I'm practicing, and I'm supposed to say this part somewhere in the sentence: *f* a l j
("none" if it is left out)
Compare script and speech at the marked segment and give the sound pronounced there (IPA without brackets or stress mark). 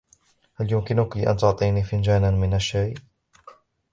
h